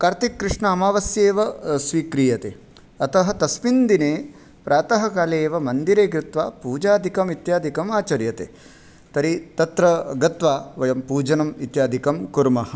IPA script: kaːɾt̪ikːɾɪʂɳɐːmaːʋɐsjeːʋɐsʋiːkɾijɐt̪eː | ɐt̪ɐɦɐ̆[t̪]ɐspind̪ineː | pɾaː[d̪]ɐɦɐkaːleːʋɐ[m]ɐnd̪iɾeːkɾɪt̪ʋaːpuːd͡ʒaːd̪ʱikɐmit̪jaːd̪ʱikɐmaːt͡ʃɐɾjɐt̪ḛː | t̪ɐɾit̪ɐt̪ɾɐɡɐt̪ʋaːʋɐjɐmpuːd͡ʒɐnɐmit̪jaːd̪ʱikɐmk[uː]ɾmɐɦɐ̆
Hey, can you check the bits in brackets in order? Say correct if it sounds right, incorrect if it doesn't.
correct, incorrect, correct, incorrect

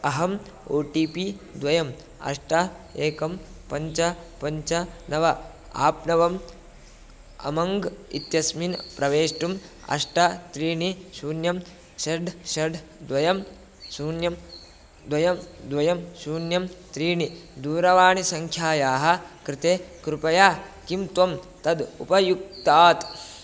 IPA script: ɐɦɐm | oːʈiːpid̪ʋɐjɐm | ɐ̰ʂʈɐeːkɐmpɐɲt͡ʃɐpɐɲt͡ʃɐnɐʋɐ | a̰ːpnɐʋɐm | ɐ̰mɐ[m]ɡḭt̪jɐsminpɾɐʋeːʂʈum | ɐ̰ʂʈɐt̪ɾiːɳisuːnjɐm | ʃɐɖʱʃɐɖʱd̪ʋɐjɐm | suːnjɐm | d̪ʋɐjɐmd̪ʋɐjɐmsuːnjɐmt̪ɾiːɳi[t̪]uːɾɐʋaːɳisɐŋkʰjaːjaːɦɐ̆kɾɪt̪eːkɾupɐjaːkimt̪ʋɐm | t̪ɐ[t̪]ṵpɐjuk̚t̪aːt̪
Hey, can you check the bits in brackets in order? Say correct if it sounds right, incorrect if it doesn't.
incorrect, incorrect, incorrect

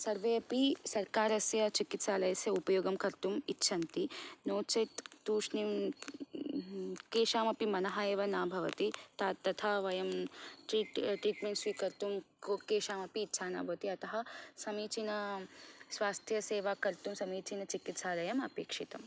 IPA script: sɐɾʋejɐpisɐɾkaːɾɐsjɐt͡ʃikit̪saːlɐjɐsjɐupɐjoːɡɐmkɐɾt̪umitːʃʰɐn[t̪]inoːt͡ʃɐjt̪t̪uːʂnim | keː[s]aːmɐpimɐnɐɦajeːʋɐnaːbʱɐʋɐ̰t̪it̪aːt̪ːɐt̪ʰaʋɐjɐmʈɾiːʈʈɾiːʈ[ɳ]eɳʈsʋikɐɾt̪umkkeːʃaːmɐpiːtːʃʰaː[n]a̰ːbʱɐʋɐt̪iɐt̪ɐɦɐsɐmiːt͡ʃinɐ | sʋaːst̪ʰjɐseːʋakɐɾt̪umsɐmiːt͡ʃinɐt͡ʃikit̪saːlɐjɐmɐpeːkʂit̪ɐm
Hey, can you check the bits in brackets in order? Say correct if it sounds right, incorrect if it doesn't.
correct, incorrect, incorrect, correct

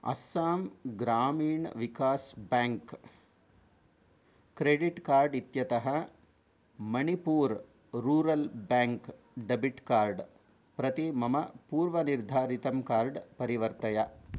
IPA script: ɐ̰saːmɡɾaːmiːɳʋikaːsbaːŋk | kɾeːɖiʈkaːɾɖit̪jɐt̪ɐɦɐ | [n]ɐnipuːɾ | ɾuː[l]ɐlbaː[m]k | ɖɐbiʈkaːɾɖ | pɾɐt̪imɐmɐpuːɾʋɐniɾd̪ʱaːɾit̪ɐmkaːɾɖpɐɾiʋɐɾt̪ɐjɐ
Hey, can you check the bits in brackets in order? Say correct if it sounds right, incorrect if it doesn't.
incorrect, incorrect, incorrect

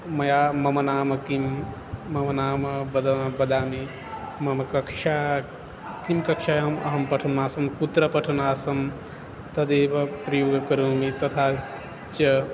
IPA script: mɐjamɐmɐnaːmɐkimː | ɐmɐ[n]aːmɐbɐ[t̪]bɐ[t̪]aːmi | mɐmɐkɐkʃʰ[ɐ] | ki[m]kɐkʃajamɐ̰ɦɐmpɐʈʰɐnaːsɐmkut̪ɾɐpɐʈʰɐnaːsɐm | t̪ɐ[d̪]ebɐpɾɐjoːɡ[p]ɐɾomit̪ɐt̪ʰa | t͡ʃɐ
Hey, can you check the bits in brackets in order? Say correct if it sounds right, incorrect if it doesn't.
correct, incorrect, incorrect, incorrect, correct, correct, incorrect

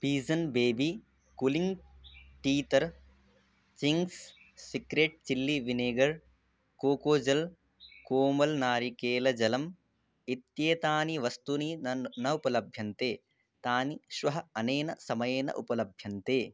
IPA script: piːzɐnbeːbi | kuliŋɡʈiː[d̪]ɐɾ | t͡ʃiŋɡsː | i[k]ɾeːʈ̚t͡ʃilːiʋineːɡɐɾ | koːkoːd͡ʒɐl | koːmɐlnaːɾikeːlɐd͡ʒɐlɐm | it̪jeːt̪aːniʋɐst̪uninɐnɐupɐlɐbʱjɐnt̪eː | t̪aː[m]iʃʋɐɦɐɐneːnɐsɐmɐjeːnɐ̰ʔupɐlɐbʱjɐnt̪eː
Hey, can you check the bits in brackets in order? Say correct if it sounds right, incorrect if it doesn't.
incorrect, correct, incorrect

